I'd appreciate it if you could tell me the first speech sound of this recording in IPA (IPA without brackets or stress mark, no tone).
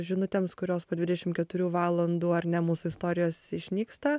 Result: ʒʲ